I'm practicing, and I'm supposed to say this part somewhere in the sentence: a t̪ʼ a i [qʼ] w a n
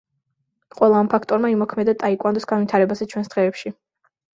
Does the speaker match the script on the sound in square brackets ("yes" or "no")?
no